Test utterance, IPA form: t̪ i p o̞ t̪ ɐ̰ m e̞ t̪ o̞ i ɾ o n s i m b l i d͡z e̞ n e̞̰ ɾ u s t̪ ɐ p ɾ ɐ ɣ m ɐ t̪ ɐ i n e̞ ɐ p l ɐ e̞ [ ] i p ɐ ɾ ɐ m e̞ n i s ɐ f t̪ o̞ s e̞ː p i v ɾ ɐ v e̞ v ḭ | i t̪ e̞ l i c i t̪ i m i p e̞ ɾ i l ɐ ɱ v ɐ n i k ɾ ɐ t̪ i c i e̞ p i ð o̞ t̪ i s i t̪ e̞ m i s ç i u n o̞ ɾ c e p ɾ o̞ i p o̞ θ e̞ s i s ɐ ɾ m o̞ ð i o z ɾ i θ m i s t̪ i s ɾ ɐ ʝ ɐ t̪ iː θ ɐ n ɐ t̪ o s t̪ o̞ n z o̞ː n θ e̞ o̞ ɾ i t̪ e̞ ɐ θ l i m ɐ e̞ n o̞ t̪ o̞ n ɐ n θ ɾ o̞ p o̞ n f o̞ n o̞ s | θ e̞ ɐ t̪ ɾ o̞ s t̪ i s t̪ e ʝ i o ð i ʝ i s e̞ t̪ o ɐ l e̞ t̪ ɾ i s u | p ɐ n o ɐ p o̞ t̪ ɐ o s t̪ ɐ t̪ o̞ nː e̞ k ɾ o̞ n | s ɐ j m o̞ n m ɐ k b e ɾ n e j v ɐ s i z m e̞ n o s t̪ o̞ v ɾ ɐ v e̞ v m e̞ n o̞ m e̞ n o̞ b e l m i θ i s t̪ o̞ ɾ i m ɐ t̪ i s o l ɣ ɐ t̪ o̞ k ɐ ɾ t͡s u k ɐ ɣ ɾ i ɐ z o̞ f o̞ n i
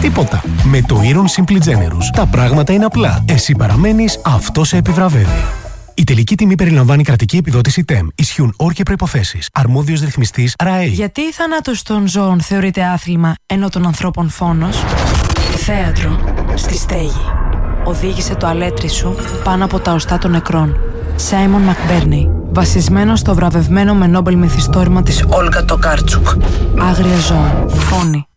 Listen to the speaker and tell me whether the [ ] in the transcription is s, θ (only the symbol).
s